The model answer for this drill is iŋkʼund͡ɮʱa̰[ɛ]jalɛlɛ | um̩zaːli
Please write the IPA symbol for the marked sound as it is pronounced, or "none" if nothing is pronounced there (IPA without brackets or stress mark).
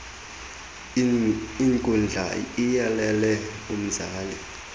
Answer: i